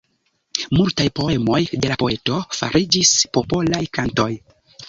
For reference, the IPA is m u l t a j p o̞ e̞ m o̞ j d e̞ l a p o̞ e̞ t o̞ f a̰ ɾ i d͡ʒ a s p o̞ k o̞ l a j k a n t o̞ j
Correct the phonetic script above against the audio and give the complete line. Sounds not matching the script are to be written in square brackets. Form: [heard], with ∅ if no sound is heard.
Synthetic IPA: m u l t a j p o̞ e̞ m o̞ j d e̞ l a p o̞ e̞ t o̞ f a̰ ɾ i d͡ʒ [i] s p o̞ [p] o̞ l a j k a n t o̞ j